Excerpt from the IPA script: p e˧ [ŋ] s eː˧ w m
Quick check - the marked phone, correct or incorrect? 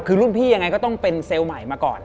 incorrect: n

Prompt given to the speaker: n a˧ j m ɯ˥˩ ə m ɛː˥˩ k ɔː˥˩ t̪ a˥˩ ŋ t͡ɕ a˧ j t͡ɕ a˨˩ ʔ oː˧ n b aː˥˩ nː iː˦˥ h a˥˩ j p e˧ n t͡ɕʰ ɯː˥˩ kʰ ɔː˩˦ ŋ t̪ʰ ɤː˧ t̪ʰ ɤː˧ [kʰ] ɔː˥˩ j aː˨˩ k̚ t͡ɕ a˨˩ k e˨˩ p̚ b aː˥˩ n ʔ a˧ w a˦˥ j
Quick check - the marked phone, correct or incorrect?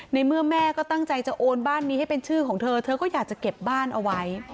incorrect: k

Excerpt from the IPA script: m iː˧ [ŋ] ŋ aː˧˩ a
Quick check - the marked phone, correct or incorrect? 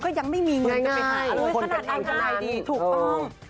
correct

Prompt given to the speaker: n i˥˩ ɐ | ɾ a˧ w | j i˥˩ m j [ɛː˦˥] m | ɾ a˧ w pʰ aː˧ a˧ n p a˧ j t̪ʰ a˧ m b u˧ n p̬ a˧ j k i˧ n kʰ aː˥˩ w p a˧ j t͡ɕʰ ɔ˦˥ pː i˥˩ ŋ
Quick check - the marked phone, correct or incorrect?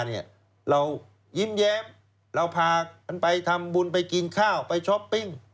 correct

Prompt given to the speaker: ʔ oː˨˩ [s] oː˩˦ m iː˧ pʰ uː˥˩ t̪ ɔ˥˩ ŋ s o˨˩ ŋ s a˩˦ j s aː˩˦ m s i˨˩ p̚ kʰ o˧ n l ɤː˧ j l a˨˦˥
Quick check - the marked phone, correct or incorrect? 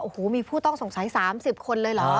incorrect: h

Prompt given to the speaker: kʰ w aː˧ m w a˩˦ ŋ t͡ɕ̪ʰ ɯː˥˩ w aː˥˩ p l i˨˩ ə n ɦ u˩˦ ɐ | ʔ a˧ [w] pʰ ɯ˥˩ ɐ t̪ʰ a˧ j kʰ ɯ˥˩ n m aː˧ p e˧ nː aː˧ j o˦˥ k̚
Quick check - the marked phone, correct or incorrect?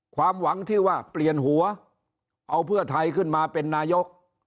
correct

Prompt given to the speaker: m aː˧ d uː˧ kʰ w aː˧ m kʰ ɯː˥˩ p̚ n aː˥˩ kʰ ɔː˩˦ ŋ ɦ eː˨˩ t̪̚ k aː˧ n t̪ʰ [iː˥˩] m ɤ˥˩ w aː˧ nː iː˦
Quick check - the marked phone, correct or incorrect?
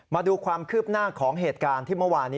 correct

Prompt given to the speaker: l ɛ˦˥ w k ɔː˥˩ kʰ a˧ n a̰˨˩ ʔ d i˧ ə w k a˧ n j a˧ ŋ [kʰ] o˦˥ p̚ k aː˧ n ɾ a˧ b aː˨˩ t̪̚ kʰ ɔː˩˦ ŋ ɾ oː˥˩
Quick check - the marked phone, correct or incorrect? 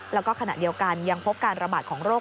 incorrect: pʰ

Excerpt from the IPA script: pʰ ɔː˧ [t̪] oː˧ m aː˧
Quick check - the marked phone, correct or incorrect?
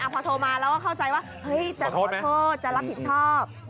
incorrect: t̪ʰ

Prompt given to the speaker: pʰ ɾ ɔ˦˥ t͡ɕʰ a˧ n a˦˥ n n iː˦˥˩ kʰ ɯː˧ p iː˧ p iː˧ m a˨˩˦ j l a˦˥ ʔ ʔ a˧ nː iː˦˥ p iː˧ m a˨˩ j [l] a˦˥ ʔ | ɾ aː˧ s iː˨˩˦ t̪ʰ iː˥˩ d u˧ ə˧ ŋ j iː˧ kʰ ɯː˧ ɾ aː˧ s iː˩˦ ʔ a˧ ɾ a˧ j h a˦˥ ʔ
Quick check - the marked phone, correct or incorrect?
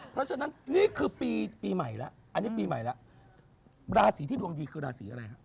correct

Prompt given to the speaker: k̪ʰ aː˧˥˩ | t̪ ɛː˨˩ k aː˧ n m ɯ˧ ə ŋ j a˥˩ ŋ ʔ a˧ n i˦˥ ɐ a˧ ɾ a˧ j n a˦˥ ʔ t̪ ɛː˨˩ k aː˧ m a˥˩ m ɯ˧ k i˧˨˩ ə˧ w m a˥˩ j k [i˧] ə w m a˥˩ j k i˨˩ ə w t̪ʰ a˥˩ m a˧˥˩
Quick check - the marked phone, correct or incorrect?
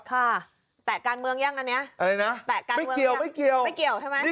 incorrect: i˨˩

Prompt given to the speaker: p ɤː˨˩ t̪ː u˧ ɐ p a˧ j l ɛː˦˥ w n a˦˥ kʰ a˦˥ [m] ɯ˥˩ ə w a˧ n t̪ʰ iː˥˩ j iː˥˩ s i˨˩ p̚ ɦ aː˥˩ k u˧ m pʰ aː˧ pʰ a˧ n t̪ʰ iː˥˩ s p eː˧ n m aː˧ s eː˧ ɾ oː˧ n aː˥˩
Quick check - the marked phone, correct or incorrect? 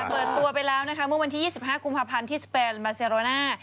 correct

